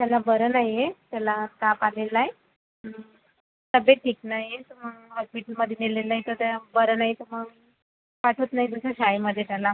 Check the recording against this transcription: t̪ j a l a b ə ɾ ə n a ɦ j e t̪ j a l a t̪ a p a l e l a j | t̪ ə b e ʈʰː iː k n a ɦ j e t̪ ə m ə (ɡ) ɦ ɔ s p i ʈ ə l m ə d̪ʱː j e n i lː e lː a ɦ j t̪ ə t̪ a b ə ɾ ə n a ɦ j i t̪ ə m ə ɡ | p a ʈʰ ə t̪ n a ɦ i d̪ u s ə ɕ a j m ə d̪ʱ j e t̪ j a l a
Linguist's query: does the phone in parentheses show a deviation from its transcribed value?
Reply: no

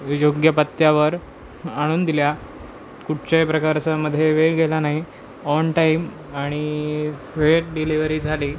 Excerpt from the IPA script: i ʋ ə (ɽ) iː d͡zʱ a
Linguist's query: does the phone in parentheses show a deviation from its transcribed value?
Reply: yes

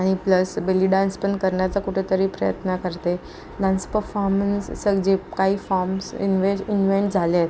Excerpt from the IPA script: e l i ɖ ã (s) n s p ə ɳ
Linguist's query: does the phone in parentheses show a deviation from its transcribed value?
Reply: yes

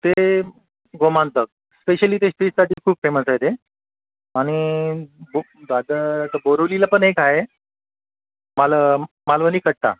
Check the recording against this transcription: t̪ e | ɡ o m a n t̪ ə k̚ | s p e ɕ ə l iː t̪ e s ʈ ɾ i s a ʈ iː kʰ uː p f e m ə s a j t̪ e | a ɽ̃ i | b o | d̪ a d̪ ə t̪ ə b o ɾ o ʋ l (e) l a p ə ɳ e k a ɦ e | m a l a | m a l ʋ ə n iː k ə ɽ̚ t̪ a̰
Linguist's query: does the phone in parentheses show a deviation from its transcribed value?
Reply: yes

